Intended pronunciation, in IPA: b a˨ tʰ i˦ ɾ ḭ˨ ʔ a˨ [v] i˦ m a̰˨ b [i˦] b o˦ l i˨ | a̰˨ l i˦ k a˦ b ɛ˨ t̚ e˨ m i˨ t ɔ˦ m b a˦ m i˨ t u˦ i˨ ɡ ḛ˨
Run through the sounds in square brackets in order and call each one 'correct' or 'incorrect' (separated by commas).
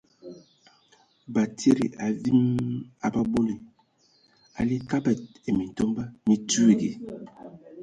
correct, incorrect